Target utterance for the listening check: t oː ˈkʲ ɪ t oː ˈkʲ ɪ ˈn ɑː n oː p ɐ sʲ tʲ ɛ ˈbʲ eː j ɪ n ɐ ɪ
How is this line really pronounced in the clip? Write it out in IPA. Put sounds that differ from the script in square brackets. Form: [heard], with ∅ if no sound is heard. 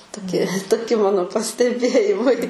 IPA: t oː ˈkʲ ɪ t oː ˈkʲ ɪ [ˈm] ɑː n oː p ɐ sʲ tʲ ɛ ˈbʲ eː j ɪ [m] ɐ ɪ

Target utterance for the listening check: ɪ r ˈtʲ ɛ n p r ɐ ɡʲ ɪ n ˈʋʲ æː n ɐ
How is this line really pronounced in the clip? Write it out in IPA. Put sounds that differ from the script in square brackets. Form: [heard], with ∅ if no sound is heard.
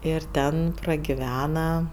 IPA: ɪ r ˈtʲ ɛ n p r ɐ ɡʲ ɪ [∅] ˈʋʲ æː n ɐ

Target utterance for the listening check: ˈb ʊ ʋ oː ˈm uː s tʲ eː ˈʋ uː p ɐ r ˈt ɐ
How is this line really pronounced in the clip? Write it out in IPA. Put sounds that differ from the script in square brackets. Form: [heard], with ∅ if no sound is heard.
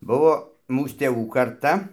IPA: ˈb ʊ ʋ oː ˈm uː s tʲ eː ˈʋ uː [k] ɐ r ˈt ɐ

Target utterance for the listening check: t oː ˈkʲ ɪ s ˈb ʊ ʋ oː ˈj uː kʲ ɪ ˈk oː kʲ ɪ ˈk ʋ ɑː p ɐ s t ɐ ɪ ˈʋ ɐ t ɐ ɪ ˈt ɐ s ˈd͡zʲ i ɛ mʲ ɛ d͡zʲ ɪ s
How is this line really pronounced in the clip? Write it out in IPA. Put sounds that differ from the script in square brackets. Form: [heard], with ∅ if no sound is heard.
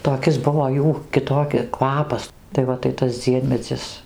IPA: t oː ˈkʲ ɪ s ˈb ʊ ʋ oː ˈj uː kʲ ɪ [ˈt] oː kʲ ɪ ˈk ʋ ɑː p ɐ s t ɐ ɪ ˈʋ ɐ t ɐ ɪ ˈt ɐ s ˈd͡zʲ i ɛ mʲ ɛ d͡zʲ ɪ s

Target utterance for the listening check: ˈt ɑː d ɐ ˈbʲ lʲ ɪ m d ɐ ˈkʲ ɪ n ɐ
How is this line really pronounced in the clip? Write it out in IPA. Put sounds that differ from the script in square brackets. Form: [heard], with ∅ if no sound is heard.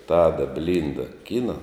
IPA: ˈt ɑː d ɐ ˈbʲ lʲ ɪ [n] d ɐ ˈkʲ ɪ n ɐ

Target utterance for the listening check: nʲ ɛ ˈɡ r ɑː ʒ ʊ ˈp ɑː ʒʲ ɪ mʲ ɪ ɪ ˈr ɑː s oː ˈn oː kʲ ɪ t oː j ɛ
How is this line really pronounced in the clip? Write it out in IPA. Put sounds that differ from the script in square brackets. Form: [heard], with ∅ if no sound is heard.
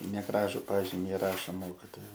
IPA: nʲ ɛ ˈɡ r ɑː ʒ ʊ ˈp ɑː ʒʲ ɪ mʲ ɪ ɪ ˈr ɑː [ʃ] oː [ˈm] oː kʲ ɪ t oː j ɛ

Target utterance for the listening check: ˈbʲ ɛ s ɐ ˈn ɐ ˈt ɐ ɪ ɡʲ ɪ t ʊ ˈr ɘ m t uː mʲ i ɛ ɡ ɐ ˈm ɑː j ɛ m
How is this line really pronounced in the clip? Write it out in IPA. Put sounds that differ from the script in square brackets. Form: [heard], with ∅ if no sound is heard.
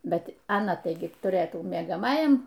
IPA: ˈbʲ ɛ [t] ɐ ˈn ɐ ˈt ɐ ɪ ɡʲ ɪ t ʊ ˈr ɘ [∅] t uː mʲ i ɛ ɡ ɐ ˈm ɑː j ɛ m

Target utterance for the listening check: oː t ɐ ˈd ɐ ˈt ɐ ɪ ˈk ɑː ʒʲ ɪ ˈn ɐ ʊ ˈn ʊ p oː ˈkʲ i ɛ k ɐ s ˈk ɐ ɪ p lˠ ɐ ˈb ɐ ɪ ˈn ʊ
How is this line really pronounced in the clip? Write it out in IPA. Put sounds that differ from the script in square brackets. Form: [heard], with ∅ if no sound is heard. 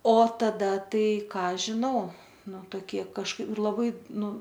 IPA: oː t ɐ ˈd ɐ ˈt ɐ ɪ ˈk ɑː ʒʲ ɪ ˈn ɐ ʊ ˈn ʊ [t] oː ˈkʲ i ɛ k ɐ [ʃ] ˈk ɐ ɪ p lˠ ɐ ˈb ɐ ɪ ˈn ʊ

